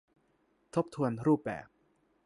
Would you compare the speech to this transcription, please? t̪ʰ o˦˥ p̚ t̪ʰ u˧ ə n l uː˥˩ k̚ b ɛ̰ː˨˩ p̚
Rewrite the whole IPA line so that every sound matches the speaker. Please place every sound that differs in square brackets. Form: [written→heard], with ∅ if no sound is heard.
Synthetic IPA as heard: t̪ʰ o˦˥ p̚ t̪ʰ u˧ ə n [l→ɾ] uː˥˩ [k̚→p̚] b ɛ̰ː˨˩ p̚